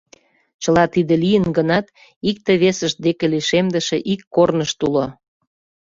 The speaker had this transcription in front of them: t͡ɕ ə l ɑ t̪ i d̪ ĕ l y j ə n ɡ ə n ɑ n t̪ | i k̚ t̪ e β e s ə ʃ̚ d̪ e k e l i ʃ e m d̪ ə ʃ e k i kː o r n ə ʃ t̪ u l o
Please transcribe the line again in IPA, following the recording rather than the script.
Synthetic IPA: t͡ɕ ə l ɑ t̪ i d̪ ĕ l i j ə n ɡ ə n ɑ t̪ | i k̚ t̪ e β e s ə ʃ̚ d̪ e k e l i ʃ e m d̪ ə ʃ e ʔ i kː o r n ə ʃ t̪ u l o